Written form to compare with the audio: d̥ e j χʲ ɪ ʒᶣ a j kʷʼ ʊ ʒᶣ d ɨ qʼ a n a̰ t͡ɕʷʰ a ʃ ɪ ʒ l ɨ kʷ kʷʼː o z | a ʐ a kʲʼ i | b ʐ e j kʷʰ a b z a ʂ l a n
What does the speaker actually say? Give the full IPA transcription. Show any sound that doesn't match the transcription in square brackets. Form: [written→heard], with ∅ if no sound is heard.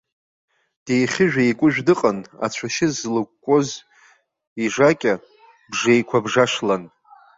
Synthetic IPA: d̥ e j χʲ ɪ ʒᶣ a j kʷʼ ʊ ʒᶣ d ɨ qʼ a n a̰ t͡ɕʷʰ a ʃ ɪ [ʒ→z] l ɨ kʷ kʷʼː o z | [a→i] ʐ a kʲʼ [i→a] | b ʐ e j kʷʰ a b [z→ʐ] a ʂ l a n